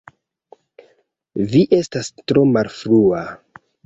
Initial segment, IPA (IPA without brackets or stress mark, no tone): v